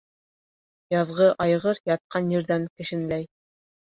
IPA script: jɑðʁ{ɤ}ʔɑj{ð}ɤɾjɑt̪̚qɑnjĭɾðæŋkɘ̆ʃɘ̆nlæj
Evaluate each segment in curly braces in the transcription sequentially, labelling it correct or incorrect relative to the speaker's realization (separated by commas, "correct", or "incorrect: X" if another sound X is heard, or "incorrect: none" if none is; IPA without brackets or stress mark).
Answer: correct, incorrect: ʁ